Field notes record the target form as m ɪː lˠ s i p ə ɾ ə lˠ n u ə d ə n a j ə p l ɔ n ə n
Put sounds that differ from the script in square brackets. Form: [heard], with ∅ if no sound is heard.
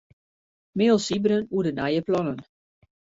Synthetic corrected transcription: m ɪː lˠ s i [b] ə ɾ ə [∅] n u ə d ə n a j ə p l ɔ n ə n